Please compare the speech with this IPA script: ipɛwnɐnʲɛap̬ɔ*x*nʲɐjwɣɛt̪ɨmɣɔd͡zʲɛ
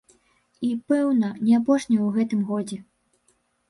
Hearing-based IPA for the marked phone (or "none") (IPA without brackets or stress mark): ʂ